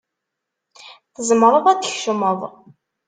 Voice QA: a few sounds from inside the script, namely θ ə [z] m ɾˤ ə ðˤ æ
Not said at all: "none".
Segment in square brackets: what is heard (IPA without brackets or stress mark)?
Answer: z